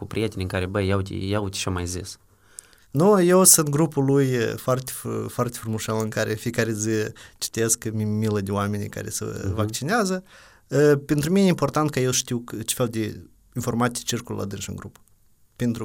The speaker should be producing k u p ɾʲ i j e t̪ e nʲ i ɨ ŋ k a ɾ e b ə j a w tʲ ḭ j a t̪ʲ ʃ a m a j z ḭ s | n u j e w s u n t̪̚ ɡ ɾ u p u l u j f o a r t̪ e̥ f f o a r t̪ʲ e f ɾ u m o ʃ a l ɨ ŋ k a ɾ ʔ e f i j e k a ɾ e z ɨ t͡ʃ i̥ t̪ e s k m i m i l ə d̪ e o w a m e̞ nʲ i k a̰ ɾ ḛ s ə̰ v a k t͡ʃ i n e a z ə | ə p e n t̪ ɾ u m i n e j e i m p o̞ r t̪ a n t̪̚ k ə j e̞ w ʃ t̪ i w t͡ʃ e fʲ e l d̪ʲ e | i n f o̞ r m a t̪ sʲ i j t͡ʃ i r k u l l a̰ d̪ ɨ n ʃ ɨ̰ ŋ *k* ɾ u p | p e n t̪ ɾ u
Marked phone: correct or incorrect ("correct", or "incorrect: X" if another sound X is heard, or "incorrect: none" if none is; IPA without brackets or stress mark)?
incorrect: ɡ